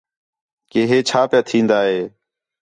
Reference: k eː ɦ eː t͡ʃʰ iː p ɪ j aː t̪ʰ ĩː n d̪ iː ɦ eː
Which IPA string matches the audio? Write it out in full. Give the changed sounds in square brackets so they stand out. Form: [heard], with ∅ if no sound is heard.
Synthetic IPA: k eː ɦ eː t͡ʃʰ [aː] p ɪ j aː t̪ʰ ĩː n d̪ [aː] ɦ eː